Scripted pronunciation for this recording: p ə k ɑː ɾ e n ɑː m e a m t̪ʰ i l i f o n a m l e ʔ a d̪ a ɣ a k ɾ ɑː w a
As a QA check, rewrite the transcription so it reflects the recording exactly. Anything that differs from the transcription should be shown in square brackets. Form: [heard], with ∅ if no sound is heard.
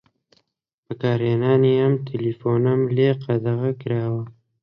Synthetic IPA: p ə k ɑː ɾ e n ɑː [n] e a m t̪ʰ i l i f o n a m l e [q] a d̪ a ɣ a k ɾ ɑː w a